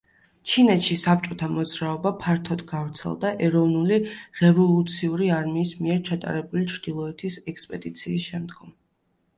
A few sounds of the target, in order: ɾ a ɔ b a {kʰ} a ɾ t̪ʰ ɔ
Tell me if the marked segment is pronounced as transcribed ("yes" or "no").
no